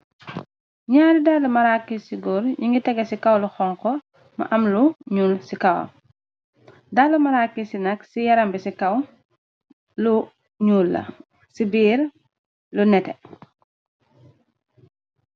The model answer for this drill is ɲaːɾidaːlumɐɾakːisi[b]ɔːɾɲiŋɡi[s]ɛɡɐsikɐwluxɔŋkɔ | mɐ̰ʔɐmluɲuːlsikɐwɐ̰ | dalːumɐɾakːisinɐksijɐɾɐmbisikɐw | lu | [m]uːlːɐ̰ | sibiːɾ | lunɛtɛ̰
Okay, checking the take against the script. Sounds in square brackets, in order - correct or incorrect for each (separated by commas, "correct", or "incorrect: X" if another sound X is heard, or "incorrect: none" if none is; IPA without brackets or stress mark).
incorrect: ɡ, incorrect: t, incorrect: ɲ